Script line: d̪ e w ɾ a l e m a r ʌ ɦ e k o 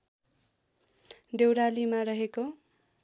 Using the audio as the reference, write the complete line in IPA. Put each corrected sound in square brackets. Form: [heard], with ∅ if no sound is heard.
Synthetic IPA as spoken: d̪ e w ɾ a l [i] m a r ʌ ɦ e k o